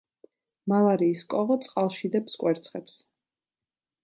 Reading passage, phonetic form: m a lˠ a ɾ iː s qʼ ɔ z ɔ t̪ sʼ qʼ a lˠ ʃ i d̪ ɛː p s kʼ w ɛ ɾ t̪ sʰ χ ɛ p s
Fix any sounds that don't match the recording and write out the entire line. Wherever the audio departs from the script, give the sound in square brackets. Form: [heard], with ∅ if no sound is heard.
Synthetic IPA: m a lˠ a ɾ iː s [kʼ] ɔ [ʁ] ɔ t̪ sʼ qʼ a lˠ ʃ i d̪ [ɛ] p s kʼ w ɛ ɾ t̪ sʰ χ ɛ p s

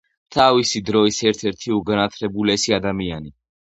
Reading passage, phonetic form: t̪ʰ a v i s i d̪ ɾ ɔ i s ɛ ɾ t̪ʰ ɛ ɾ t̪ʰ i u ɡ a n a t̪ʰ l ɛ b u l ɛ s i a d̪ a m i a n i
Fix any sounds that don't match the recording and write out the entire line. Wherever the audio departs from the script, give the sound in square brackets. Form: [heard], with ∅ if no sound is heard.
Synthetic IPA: t̪ʰ a v i s i d̪ ɾ ɔ i s ɛ ɾ t̪ʰ ɛ ɾ t̪ʰ i u ɡ a n a t̪ʰ l ɛ b u l ɛ s i a d̪ a m i a n i

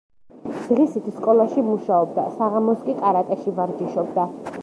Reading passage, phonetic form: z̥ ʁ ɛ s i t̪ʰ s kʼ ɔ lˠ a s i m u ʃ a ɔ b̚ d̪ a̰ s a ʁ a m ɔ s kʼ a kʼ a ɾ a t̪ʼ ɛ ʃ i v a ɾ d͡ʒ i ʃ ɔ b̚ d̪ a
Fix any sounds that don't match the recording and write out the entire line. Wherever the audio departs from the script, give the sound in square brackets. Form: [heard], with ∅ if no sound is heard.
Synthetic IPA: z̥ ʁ [i] s i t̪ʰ s kʼ ɔ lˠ a [ʃ] i m u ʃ a ɔ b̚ d̪ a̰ s a ʁ a m ɔ s kʼ [i] kʼ a ɾ a t̪ʼ ɛ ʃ i v a ɾ d͡ʒ i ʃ ɔ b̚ d̪ a

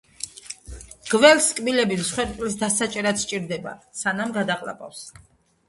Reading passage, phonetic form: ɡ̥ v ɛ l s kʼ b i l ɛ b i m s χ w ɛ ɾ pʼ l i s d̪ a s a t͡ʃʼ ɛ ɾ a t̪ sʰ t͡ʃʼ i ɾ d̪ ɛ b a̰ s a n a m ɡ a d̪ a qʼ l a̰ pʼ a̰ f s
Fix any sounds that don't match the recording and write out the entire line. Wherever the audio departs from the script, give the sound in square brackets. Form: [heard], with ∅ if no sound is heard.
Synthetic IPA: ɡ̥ v ɛ l s kʼ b i l ɛ b i m s χ w ɛ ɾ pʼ l i s d̪ a s a t͡ʃʼ ɛ ɾ a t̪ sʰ t͡ʃʼ i ɾ d̪ ɛ b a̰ s a n a m ɡ a d̪ a qʼ l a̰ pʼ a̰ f s

